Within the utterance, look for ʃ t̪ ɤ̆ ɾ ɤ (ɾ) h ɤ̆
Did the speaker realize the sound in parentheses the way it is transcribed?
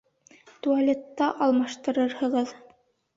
yes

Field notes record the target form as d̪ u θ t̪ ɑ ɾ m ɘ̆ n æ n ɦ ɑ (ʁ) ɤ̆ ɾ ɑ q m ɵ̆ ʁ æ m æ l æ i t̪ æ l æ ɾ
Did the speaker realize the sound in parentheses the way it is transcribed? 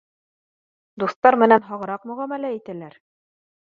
yes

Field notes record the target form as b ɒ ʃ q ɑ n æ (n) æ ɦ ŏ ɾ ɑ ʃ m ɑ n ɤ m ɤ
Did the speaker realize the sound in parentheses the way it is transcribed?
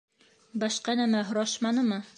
no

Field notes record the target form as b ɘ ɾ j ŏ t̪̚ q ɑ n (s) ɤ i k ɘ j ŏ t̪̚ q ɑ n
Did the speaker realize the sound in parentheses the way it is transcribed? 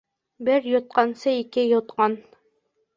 yes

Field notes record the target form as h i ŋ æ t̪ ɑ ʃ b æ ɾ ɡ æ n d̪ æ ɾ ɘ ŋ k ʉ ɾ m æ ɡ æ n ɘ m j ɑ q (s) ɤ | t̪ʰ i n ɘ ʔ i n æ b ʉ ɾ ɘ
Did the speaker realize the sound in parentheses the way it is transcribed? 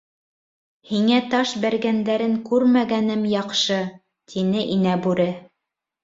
no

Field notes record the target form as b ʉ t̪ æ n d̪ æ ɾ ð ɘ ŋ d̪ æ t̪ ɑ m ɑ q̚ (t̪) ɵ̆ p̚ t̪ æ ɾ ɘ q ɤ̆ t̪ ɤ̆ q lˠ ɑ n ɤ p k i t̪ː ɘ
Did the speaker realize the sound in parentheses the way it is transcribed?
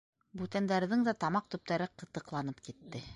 yes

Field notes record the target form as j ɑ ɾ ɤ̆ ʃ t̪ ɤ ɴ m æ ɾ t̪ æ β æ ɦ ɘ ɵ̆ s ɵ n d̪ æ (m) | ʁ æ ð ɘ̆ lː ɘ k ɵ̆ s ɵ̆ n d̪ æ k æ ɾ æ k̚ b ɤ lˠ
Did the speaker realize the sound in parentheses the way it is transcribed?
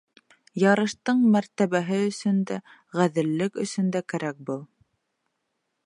no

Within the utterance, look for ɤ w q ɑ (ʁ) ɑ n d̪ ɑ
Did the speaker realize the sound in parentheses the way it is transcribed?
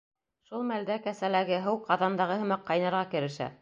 no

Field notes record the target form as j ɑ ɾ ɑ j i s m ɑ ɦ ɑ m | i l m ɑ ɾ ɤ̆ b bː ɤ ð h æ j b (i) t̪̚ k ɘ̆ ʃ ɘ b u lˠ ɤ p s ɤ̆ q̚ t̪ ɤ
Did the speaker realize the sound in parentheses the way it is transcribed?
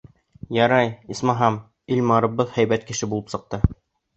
no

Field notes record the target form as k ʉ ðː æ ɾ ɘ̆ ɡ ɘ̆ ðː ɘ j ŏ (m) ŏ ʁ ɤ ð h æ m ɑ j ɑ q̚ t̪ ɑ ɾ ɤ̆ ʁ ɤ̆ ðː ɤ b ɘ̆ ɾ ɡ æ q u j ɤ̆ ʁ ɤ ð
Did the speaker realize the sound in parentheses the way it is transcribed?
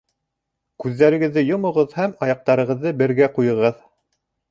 yes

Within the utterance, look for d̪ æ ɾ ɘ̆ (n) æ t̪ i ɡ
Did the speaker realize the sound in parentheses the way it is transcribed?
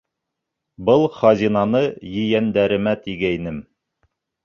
no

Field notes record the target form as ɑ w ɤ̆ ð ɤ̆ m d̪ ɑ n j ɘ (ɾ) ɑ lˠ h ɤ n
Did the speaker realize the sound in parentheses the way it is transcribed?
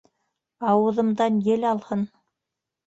no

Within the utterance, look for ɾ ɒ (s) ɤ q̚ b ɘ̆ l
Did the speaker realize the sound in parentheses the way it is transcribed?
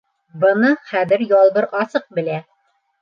yes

